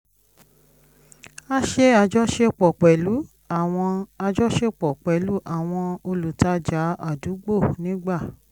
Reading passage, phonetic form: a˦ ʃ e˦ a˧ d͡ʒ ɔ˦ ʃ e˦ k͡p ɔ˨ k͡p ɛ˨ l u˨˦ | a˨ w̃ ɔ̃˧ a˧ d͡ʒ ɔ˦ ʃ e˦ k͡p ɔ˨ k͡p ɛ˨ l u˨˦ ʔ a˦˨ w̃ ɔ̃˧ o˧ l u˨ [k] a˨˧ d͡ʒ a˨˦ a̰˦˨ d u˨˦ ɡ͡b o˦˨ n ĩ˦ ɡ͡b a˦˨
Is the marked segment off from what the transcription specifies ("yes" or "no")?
yes